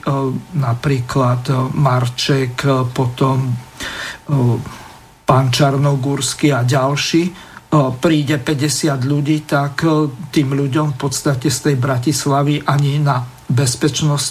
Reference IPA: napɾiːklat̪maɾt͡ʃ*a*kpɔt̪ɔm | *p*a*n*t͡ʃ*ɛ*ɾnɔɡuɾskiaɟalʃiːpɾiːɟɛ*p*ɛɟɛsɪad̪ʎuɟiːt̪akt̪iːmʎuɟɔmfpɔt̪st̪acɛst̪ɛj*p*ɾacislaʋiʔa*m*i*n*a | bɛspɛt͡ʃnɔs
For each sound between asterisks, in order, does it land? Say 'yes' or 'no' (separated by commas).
no, yes, yes, no, yes, no, no, yes